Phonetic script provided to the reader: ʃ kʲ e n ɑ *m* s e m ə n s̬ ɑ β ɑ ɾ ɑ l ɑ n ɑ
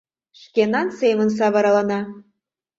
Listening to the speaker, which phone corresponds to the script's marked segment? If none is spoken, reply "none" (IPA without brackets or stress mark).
n